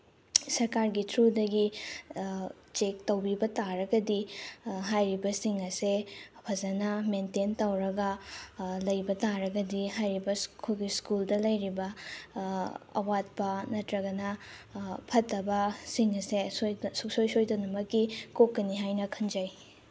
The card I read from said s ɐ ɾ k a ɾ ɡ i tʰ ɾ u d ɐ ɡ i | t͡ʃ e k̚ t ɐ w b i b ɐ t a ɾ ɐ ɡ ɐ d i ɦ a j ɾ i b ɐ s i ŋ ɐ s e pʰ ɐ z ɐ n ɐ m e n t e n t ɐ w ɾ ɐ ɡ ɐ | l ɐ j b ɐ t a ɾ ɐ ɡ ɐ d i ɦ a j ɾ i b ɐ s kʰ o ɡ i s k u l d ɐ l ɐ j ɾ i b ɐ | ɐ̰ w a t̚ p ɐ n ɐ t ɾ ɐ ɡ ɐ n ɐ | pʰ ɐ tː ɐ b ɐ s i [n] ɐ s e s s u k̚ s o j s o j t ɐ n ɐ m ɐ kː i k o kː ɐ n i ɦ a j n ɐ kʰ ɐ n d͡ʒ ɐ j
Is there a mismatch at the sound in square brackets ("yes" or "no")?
yes